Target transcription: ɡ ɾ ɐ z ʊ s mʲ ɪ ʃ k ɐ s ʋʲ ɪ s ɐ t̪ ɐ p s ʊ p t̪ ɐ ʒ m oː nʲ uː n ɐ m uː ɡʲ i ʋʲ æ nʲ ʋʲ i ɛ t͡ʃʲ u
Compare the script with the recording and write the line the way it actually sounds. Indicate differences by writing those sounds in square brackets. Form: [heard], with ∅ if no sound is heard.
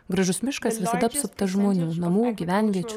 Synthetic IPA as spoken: ɡ ɾ ɐ [ʒ] ʊ s mʲ ɪ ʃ k ɐ s ʋʲ ɪ s ɐ [d̪] ɐ p s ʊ p t̪ ɐ ʒ m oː nʲ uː n ɐ m uː ɡʲ i ʋʲ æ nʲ ʋʲ i ɛ t͡ʃʲ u